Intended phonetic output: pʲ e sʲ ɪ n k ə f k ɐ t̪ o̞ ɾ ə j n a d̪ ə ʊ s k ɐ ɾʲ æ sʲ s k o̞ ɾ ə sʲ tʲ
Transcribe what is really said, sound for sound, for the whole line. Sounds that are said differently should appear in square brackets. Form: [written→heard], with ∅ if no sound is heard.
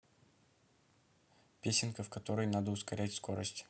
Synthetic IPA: pʲ e sʲ ɪ n k ə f k ɐ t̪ o̞ ɾ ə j n a d̪ ə ʊ s k ɐ ɾʲ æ [sʲ→tʲ] s k o̞ ɾ ə sʲ tʲ